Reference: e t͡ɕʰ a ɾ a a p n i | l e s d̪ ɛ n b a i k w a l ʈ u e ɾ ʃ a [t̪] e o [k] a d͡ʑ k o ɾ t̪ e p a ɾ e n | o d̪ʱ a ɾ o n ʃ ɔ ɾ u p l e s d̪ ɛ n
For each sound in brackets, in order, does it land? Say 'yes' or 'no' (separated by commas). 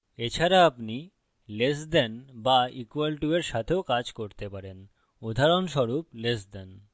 no, yes